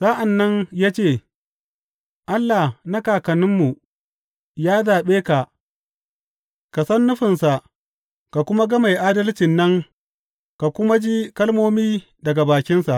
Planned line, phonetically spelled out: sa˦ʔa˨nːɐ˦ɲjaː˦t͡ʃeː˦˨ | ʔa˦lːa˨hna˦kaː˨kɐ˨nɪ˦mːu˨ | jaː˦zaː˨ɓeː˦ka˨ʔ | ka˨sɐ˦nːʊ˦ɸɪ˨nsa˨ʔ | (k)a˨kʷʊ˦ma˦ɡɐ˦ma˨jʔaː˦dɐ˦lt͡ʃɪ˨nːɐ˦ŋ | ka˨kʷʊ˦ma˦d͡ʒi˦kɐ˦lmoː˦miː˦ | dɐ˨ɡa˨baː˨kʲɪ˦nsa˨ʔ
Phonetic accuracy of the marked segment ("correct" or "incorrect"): correct